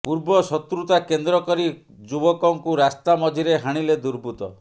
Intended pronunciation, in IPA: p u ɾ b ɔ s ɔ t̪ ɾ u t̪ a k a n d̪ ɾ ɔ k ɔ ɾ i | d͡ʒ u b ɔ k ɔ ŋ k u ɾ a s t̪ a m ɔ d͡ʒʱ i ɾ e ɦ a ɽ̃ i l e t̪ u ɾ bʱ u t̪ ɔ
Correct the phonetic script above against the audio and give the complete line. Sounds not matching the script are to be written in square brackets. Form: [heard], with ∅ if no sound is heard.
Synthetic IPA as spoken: p u ɾ b ɔ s ɔ t̪ ɾ u t̪ a k [e] n d̪ ɾ ɔ k ɔ ɾ i | d͡ʒ u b ɔ k ɔ ŋ k u ɾ a s t̪ a m ɔ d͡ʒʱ i ɾ e ɦ a ɽ̃ i l e [d̪] u ɾ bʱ u t̪ ɔ